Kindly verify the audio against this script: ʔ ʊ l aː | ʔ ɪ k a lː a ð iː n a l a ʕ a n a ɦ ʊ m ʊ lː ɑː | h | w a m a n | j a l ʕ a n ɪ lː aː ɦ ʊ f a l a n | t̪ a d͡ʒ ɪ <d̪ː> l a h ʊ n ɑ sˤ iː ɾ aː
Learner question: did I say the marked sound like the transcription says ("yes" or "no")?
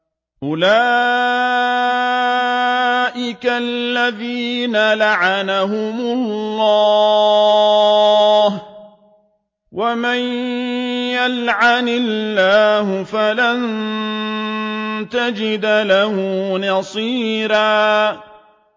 no